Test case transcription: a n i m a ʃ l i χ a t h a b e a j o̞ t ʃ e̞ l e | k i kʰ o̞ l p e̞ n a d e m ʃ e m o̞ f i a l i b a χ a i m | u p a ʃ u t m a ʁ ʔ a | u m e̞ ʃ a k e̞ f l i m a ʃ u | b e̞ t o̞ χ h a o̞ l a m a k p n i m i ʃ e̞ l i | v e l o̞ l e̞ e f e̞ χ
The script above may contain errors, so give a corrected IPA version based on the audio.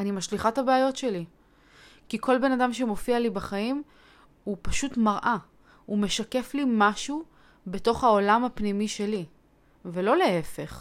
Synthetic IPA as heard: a n i m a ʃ l i χ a t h a b e a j o̞ t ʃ e̞ l i | k i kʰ o̞ l b e̞ n a d a m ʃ e m o̞ f i a l i b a χ a i m | u p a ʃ u t m a ʁ ʔ a | u m e̞ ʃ a k e̞ f l i m a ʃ u | b e̞ t o̞ χ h a o̞ l a m a p n i m i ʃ e̞ l i | v e l o̞ l e̞ e f e̞ χ